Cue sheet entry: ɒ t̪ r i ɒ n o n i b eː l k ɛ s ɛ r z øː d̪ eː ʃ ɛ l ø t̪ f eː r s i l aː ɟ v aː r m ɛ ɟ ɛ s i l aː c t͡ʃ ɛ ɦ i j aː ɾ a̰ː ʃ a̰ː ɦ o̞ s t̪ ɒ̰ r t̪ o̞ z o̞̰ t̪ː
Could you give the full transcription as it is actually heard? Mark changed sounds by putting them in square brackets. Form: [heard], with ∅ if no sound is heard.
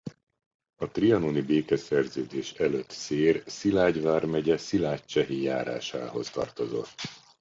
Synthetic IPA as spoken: ɒ t̪ r i ɒ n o n i b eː [∅] k ɛ s ɛ r z øː d̪ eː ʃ ɛ l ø t̪ [s] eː r s i l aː ɟ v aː r m ɛ ɟ ɛ s i l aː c t͡ʃ ɛ ɦ i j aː ɾ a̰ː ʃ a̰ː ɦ o̞ s t̪ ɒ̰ r t̪ o̞ z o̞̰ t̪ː